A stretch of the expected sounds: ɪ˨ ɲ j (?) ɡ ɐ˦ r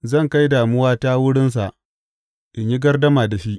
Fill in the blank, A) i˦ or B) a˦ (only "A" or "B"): A